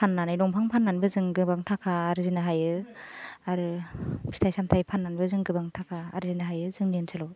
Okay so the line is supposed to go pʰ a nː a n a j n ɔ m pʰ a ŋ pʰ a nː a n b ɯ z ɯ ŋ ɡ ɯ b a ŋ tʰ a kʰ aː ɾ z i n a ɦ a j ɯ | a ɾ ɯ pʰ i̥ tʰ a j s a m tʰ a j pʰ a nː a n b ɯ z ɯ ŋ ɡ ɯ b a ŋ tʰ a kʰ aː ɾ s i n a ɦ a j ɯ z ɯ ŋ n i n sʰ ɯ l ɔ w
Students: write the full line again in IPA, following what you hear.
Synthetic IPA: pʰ a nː a n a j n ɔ ŋ pʰ a ŋ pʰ a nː a n b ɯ z ɯ ŋ ɡ ɯ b a ŋ tʰ a kʰ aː ɾ z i n a ɦ a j ɯ | a ɾ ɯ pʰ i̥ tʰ a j s a m tʰ a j pʰ a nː a n b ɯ z ɯ ŋ ɡ ɯ b a ŋ tʰ a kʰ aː ɾ z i n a ɦ a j ɯ z ɯ ŋ n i n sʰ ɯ l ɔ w